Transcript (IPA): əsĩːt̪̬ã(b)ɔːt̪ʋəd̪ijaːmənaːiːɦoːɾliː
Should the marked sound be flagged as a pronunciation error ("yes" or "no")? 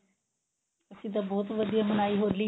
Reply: no